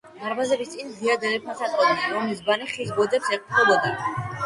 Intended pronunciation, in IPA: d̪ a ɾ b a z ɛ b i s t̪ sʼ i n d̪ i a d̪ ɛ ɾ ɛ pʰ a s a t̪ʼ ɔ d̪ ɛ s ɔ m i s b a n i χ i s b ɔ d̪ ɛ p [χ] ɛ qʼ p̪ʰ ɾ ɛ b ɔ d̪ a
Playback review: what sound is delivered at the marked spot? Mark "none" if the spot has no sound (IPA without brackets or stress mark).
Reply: s